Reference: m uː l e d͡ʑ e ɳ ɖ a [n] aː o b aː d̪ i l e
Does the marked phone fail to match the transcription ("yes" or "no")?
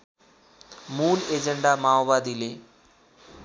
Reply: yes